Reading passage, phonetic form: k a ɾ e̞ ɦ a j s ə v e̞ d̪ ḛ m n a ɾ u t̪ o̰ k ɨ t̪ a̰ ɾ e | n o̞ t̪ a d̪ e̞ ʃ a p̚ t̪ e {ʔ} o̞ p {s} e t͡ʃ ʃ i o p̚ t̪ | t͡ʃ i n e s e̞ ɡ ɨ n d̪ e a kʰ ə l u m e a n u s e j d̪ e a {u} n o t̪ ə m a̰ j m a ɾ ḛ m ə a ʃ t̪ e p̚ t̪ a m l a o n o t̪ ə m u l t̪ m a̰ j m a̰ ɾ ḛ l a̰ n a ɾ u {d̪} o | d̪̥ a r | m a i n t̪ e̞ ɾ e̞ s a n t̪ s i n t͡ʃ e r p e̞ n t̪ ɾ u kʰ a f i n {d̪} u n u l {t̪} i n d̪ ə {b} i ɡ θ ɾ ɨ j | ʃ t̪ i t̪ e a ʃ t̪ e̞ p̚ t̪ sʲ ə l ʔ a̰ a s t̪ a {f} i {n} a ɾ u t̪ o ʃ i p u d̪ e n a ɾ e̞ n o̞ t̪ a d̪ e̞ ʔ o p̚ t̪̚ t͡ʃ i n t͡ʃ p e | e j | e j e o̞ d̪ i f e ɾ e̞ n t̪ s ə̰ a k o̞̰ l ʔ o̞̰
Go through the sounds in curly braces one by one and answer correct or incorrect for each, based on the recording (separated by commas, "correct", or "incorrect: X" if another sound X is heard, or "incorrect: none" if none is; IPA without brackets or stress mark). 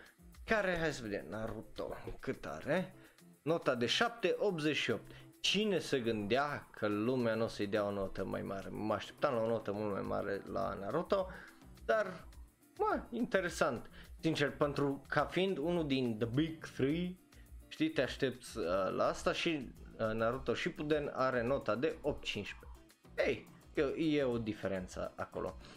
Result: correct, incorrect: z, incorrect: o, incorrect: t̪, correct, incorrect: d̪, correct, incorrect: ʃ, correct